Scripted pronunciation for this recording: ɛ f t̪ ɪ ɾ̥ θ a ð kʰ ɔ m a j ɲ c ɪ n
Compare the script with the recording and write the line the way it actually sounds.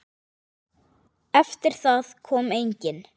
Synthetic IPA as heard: ɛ f t̪ ɪ ɾ̥ θ a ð kʰ ɔː m e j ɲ c ɪ n